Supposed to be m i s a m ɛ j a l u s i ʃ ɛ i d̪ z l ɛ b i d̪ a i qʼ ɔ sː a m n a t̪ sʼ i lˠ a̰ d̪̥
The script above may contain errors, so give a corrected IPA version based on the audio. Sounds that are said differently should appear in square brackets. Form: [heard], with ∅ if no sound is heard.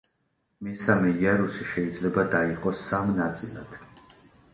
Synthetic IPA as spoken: m i s a m ɛ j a [ɾ] u s i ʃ ɛ i d̪ z l ɛ b [a] d̪ a i qʼ ɔ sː a m n a t̪ sʼ i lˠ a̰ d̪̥